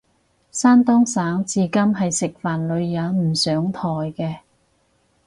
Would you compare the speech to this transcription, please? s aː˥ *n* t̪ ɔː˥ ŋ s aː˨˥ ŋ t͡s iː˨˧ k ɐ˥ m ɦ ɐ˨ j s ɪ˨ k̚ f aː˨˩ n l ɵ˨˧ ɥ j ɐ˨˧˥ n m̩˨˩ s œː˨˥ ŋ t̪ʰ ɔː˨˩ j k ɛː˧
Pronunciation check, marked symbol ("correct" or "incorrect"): correct